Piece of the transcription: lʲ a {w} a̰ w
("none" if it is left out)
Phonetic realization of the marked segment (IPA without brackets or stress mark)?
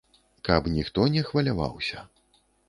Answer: v